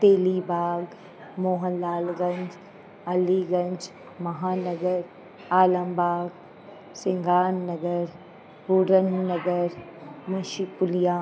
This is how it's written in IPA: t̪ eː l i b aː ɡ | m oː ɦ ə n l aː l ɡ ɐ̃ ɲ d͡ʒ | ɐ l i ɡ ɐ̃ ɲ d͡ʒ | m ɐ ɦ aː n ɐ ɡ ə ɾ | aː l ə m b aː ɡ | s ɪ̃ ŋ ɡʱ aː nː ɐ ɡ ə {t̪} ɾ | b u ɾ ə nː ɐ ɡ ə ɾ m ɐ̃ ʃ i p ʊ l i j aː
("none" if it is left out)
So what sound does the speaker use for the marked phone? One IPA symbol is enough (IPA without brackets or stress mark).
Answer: none